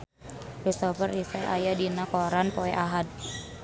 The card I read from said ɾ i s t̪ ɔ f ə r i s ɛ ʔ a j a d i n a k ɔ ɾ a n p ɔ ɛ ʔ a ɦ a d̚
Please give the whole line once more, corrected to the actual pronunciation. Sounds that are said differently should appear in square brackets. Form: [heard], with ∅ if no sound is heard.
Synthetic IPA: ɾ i s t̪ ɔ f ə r i s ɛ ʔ a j a d i n a k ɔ ɾ a n p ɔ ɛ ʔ a ɦ a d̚